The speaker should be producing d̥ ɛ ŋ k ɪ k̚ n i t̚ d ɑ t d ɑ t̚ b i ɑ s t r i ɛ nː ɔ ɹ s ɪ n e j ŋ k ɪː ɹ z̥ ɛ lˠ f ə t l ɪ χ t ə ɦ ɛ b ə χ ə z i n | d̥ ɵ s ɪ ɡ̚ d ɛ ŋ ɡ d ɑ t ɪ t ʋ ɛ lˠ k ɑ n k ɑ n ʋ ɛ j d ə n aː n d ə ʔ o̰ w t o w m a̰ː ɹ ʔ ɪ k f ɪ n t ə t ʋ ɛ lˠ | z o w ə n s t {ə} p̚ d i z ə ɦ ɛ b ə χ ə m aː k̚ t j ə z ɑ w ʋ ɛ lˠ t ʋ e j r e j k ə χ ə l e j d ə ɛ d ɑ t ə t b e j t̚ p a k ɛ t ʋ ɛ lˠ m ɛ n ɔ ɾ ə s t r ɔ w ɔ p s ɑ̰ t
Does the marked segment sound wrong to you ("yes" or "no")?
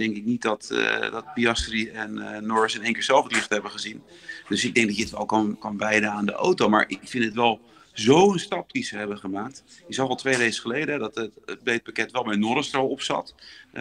yes